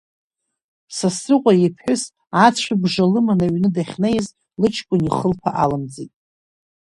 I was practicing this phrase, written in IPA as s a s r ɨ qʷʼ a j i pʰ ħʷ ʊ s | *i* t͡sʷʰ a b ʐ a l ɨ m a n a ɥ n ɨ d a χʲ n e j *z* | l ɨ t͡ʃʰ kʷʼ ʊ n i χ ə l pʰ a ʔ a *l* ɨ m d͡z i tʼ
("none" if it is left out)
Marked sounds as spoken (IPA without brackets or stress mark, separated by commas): a, z, l